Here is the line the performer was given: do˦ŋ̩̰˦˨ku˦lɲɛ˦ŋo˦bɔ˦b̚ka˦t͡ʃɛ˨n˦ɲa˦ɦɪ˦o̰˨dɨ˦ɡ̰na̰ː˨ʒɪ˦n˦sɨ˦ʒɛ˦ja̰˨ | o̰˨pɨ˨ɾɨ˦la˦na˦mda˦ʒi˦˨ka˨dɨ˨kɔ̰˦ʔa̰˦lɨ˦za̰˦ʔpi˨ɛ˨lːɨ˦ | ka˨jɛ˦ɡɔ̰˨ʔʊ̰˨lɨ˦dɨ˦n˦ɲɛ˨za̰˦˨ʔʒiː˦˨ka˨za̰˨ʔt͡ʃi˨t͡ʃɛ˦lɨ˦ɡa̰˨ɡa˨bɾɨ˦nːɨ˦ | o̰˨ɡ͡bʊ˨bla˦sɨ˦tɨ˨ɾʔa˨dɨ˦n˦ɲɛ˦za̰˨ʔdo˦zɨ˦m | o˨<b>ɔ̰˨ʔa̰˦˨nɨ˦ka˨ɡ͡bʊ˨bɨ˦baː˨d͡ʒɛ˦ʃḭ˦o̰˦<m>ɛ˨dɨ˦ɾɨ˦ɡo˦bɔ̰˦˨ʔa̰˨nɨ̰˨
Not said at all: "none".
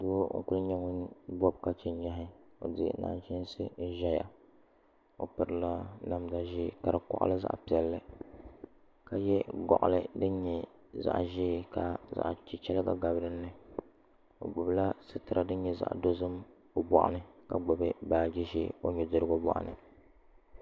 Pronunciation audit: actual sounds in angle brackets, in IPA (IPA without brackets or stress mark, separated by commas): b, ɲ